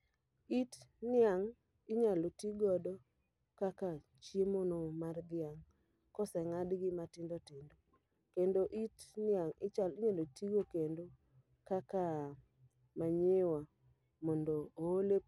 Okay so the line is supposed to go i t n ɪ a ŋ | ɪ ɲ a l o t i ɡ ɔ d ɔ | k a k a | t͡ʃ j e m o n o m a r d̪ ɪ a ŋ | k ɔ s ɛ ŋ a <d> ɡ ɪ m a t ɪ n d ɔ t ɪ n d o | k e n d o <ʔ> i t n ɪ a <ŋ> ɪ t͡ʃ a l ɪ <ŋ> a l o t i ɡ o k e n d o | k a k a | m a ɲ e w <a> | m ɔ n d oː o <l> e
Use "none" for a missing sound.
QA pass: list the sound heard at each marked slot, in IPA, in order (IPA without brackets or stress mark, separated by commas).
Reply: d, ʔ, ŋ, ɲ, a, l